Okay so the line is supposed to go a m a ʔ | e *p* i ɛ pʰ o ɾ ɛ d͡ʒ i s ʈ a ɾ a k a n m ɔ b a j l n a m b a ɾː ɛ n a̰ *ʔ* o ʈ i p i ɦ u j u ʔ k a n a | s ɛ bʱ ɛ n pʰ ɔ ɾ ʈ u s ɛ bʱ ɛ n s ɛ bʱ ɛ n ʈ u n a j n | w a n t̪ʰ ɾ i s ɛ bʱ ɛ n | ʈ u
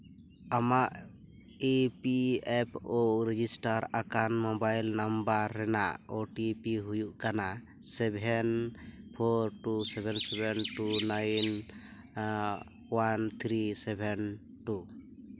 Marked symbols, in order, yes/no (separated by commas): yes, yes